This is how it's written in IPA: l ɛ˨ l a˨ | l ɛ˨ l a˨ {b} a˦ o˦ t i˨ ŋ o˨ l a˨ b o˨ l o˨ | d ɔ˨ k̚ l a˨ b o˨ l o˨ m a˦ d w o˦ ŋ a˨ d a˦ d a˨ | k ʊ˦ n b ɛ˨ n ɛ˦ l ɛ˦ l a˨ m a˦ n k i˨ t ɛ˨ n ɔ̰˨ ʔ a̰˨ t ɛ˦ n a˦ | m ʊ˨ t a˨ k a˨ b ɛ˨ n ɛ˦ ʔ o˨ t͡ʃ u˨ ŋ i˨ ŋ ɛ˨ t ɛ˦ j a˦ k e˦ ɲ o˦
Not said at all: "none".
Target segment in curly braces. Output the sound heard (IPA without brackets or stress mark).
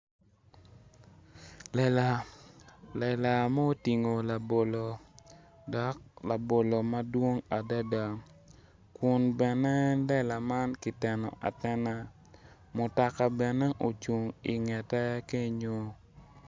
m